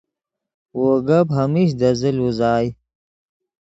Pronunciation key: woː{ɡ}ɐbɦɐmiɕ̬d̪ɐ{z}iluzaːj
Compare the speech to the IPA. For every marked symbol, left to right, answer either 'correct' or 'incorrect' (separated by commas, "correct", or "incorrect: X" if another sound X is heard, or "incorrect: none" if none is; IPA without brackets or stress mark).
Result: correct, correct